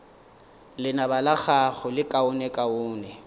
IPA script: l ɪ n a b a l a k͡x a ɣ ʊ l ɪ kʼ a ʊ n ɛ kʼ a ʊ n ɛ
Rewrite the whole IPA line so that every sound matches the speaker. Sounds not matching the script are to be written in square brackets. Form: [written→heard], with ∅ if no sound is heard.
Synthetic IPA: l ɪ n a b a l a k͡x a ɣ ʊ l ɪ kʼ a ʊ n ɛ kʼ a [ʊ→ʊː] n ɛ

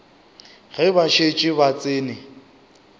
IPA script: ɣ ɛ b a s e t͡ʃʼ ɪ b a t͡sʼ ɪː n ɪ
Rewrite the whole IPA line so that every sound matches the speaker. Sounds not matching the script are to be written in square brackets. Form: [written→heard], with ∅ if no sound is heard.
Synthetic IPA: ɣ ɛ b a [s→ʃ] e t͡ʃʼ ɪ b a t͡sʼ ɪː n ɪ

